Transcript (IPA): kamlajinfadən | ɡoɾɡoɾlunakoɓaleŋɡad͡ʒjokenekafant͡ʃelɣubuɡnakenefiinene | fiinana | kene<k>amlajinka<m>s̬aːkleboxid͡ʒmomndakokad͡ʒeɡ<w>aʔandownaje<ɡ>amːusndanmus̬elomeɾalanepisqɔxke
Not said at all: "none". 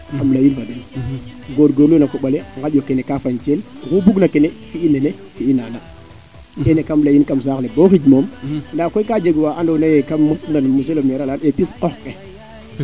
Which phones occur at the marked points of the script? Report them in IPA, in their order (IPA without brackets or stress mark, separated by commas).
k, m, w, k